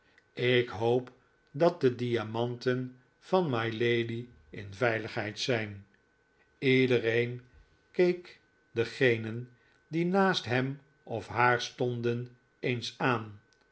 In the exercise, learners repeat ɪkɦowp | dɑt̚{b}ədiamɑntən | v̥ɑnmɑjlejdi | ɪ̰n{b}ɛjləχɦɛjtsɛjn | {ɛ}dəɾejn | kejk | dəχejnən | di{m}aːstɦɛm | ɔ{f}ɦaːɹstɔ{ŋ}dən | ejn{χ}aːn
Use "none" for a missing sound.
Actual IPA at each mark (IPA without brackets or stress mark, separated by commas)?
d, v, i, n, f, n, s